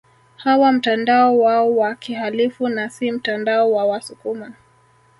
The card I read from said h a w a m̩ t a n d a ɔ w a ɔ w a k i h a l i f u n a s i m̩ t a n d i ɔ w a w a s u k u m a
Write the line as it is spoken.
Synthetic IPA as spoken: h a w a m̩ t a n d a ɔ w a ɔ w a k i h a l i f u n a s i m̩ t a n d a ɔ w a w a s u k u m a